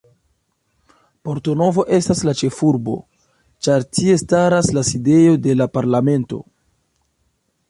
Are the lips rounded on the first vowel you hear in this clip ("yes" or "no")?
yes